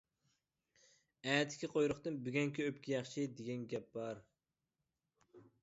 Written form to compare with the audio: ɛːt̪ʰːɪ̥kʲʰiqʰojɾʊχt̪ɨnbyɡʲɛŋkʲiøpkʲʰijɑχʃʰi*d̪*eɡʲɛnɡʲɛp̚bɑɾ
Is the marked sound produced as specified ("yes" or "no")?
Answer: yes